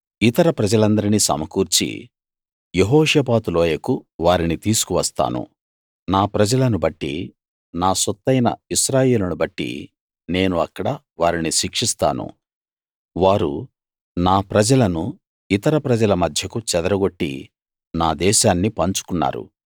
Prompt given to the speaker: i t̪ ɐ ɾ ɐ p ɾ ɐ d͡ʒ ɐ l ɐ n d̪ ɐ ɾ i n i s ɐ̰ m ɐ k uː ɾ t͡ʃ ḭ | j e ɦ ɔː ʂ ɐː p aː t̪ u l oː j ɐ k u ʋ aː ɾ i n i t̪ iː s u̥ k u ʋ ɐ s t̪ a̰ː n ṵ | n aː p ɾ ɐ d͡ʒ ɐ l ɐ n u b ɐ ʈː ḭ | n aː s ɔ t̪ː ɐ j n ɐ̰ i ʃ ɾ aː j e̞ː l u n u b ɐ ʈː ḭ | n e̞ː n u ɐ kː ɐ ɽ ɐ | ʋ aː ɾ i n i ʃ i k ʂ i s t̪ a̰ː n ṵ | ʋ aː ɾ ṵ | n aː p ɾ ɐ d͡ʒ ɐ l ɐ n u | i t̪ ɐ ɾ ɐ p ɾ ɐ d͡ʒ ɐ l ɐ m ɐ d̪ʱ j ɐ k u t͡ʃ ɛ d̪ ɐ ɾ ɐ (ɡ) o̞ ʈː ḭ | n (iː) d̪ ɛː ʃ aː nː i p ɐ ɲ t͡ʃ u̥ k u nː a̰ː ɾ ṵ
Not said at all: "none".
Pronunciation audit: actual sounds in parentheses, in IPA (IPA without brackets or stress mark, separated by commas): ɡ, aː